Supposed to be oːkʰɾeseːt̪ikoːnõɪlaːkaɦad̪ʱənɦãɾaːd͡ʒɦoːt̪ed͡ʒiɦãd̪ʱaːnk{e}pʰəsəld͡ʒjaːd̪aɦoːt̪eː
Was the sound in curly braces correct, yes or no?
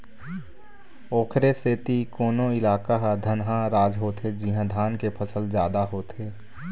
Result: yes